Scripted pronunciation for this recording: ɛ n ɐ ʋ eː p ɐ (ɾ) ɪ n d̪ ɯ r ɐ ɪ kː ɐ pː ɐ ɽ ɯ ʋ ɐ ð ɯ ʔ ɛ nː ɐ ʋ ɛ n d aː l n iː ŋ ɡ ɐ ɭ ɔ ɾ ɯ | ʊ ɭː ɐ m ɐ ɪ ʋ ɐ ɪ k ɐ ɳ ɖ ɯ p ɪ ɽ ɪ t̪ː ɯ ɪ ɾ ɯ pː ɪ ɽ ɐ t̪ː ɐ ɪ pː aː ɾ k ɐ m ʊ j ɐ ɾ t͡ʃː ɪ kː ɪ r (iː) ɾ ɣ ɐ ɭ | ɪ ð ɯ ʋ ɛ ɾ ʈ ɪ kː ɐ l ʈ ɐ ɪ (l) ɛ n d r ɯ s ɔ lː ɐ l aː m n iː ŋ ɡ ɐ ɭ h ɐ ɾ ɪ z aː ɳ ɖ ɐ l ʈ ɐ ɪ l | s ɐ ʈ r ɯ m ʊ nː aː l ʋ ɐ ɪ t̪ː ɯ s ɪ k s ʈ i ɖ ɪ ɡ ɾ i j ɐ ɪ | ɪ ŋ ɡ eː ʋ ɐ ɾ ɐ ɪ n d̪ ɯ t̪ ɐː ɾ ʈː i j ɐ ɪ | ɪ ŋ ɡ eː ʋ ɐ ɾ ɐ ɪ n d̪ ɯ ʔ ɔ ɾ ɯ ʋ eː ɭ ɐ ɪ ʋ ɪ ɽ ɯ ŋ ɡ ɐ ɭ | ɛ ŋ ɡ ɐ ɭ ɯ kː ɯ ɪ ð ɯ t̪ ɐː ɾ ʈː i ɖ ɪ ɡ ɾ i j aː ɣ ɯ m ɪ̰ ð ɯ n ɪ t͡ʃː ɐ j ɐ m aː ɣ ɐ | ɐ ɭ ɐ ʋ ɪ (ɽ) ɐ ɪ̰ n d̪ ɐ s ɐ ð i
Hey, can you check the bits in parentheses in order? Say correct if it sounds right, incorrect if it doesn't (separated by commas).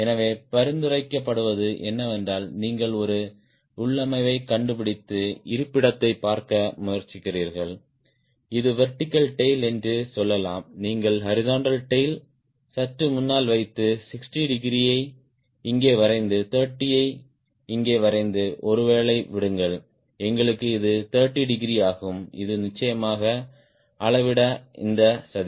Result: correct, correct, correct, correct